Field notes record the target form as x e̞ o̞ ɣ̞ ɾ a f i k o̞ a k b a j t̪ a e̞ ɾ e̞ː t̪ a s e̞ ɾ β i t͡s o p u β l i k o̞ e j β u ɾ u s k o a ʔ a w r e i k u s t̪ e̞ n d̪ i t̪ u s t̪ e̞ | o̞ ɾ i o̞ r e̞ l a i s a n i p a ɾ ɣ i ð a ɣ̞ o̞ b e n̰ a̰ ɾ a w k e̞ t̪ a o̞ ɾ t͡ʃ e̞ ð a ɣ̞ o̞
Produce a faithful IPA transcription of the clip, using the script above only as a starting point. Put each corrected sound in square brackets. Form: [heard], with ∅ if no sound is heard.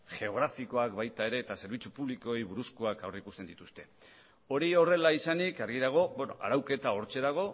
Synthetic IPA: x e̞ o̞ ɣ̞ ɾ a f i k o̞ a k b a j t̪ a e̞ ɾ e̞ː t̪ a s e̞ ɾ β i t͡s [u] p u β l i k o̞ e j β u ɾ u s k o a [k] a w r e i k u s t̪ e̞ n d̪ i t̪ u s t̪ e̞ | o̞ ɾ i o̞ r e̞ l a i s a n i [k] a ɾ ɣ i ð a ɣ̞ o̞ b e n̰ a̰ ɾ a w k e̞ t̪ a o̞ ɾ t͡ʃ e̞ ð a ɣ̞ o̞